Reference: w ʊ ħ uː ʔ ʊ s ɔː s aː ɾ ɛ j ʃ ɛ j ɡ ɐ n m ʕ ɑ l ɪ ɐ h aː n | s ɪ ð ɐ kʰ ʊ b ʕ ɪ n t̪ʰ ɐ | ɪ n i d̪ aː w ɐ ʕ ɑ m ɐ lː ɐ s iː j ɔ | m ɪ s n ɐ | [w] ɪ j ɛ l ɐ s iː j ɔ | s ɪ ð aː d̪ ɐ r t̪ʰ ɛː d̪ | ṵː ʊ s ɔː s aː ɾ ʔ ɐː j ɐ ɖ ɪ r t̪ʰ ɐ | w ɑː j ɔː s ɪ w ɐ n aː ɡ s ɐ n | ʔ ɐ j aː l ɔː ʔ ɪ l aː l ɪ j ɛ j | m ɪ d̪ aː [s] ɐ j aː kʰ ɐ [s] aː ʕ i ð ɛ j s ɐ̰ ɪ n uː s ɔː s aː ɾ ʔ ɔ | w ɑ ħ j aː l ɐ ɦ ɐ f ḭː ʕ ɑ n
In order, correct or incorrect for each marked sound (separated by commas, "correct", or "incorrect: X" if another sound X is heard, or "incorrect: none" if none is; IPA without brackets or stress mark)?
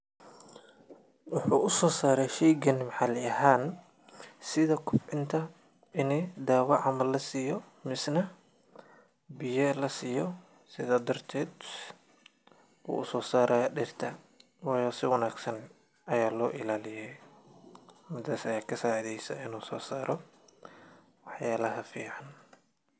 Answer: incorrect: b, correct, correct